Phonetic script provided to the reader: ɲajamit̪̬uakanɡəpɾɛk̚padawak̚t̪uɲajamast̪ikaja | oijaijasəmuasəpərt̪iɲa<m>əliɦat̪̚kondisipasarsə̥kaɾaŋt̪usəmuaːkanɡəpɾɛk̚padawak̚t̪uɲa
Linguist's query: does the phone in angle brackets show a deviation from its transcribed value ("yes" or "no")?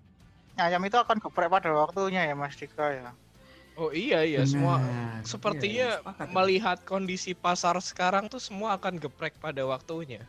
no